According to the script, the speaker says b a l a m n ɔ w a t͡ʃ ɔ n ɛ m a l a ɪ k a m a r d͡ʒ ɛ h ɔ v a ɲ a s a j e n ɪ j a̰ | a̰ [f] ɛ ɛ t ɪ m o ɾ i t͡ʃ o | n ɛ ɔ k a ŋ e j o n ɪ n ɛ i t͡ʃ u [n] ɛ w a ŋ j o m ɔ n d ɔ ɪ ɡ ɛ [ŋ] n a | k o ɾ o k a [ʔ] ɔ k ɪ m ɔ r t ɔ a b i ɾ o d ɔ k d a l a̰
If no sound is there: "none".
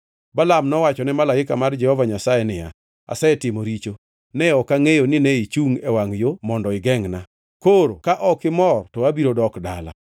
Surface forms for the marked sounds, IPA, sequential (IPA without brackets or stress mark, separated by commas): s, ŋ, ŋ, ʔ